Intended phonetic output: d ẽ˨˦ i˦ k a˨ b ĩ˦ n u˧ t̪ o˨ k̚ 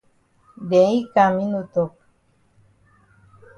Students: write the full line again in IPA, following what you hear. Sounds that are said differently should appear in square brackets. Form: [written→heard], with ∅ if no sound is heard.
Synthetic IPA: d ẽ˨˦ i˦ k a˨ [b→m] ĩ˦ n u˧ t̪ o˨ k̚